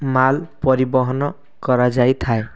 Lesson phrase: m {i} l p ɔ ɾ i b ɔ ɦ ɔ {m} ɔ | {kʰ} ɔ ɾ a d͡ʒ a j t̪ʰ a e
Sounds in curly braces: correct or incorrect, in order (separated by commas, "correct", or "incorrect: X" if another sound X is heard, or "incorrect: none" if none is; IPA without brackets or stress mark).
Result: incorrect: a, incorrect: n, incorrect: k